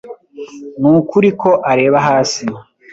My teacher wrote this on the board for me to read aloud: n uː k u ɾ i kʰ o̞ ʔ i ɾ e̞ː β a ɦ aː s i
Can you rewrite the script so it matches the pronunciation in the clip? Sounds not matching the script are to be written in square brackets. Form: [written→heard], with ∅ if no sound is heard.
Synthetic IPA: n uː k u ɾ i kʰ o̞ ʔ [i→a] ɾ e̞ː β a ɦ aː s i

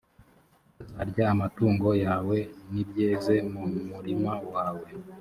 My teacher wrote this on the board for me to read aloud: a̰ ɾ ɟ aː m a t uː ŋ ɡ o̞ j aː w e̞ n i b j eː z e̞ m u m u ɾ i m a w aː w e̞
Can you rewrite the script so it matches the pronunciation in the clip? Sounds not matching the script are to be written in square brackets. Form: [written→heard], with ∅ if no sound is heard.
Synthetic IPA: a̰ ɾ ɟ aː m a t uː ŋ ɡ o̞ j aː w e̞ n i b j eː z e̞ m u m u ɾ i m a w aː w e̞

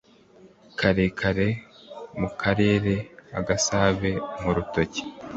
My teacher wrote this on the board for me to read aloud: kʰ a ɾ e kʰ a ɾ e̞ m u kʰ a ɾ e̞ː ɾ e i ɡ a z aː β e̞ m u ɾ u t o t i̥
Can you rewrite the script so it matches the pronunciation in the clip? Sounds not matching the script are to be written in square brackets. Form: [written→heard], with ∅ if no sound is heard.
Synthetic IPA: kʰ a ɾ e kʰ a ɾ e̞ m u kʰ a ɾ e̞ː ɾ e [i→a] ɡ a [z→s] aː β e̞ m u ɾ u t o [t→c] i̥

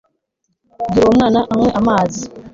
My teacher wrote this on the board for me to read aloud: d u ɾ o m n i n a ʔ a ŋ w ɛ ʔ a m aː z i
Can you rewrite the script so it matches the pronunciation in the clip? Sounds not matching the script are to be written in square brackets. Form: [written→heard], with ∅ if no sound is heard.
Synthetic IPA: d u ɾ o m n [i→a] n a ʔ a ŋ w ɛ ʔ a m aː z i

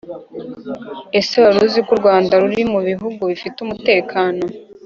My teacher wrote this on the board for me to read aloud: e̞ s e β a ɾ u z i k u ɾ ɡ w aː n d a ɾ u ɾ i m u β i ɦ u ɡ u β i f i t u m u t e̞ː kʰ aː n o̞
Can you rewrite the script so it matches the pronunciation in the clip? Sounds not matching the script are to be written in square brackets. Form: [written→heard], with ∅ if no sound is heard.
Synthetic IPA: e̞ s e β a ɾ u z i k u ɾ ɡ w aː n d a ɾ u ɾ i m u β i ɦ u ɡ u β i f i t u m u t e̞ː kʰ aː n o̞

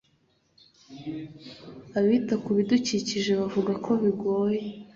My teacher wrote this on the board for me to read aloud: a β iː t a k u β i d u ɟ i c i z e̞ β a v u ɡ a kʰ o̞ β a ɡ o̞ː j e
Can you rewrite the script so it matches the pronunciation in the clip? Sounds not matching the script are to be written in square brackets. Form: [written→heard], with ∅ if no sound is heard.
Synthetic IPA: a β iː t a k u β i d u [ɟ→c] i c i [z→ʒ] e̞ β a v u ɡ a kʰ o̞ β [a→i] ɡ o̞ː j e

